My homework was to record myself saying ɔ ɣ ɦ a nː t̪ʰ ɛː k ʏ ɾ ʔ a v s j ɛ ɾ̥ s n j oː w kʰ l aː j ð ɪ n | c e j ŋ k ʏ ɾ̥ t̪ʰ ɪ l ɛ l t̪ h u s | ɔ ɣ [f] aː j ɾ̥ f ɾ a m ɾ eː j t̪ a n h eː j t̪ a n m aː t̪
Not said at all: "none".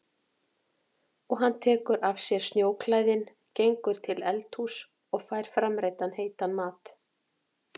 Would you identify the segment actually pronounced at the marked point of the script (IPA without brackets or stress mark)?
f